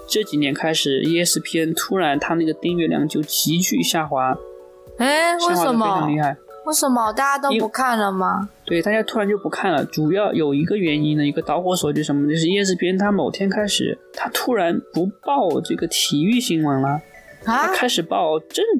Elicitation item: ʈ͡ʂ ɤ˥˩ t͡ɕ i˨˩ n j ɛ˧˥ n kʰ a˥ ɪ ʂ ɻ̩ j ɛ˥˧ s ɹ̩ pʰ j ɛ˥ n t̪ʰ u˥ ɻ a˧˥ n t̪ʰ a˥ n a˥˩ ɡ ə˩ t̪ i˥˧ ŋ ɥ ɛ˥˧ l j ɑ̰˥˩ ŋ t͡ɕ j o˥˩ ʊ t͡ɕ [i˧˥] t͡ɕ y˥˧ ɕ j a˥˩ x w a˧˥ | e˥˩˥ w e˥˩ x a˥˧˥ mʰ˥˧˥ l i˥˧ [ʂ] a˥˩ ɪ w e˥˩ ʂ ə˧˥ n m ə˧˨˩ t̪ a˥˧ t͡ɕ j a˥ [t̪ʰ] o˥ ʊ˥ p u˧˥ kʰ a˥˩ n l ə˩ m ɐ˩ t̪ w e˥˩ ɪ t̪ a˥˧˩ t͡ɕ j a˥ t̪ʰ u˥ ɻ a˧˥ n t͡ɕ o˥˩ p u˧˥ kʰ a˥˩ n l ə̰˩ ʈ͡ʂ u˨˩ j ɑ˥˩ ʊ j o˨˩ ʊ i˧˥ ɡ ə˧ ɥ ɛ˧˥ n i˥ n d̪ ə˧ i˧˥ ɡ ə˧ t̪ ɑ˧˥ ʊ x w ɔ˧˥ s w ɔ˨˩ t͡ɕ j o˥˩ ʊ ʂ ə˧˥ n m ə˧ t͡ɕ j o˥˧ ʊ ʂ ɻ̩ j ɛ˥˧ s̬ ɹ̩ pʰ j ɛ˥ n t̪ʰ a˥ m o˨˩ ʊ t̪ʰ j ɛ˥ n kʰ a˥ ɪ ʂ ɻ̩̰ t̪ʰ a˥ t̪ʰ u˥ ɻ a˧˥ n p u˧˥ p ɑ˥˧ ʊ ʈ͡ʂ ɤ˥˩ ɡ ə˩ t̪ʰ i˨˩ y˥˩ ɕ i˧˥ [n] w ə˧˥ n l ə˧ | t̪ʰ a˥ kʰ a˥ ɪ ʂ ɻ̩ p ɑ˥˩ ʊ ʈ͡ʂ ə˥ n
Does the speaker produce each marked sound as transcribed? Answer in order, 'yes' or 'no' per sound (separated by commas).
yes, no, no, no